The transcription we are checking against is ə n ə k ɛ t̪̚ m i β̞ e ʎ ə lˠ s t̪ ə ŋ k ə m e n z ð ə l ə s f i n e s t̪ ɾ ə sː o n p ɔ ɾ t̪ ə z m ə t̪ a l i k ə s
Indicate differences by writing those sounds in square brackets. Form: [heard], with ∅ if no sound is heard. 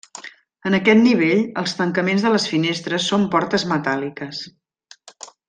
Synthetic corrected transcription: ə n ə k ɛ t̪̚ [n] i β̞ e ʎ ə lˠ s t̪ ə ŋ k ə m e n z ð ə l ə s f i n e s t̪ ɾ ə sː o [m] p ɔ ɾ t̪ ə z m ə t̪ a l i k ə s